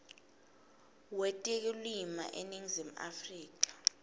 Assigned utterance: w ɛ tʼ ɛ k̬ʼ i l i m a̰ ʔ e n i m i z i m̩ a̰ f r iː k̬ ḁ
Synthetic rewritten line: w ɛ tʼ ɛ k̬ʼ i l i m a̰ ʔ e n i ŋ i z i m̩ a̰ f r iː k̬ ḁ